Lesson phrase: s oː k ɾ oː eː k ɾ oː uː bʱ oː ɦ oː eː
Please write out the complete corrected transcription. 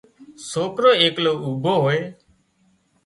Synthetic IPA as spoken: s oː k ɾ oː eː k l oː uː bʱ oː ɦ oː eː